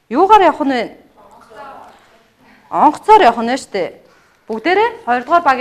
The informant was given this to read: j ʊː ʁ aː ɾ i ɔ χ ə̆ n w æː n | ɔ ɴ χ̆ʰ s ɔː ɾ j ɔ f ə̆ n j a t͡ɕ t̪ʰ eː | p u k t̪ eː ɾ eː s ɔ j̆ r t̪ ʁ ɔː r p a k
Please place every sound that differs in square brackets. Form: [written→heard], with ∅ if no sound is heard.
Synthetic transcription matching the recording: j ʊː ʁ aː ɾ [i→j] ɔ χ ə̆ n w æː n | ɔ ɴ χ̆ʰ [s→t͡s] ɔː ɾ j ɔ [f→χ] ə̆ n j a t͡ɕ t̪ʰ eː | p u k t̪ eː ɾ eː [s→χ] ɔ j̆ r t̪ ʁ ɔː r p a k

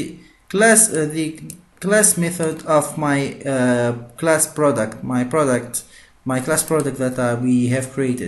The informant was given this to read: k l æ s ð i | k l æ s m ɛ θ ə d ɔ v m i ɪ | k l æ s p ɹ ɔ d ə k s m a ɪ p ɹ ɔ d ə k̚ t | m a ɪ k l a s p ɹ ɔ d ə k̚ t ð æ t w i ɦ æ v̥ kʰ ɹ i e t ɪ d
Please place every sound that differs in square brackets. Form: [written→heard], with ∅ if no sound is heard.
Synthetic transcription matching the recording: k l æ s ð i | k l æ s m ɛ θ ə d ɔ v m [i→a] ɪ | k l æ s p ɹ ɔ d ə k [s→t] m a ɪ p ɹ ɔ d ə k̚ t | m a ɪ k l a s p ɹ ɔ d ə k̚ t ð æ t w i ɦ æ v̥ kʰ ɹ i e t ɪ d

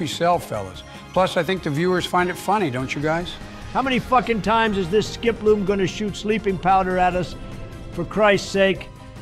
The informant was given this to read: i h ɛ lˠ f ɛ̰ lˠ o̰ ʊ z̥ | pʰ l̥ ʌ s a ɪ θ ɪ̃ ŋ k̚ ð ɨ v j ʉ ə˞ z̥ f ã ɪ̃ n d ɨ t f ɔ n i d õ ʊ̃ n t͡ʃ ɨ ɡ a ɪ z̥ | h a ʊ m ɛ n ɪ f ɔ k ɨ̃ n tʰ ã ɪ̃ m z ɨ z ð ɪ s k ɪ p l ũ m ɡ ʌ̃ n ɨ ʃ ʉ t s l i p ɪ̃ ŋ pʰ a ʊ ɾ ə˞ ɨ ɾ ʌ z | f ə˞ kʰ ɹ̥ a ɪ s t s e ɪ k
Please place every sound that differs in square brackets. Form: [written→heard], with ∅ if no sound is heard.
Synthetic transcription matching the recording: i [h→s] ɛ lˠ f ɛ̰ lˠ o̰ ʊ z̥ | pʰ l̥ ʌ s a ɪ θ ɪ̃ ŋ k̚ ð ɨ v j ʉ ə˞ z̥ f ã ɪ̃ n d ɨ t f [ɔ→ʌ] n i d õ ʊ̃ n t͡ʃ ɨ ɡ a ɪ z̥ | h a ʊ m ɛ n [ɪ→i] f [ɔ→ʌ] k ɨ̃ n tʰ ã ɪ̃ m z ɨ z ð ɪ s k ɪ p l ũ m ɡ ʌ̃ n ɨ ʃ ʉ t s l i p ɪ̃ ŋ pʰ a ʊ ɾ ə˞ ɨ ɾ ʌ [z→s] | f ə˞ kʰ ɹ̥ a ɪ s t s e ɪ k

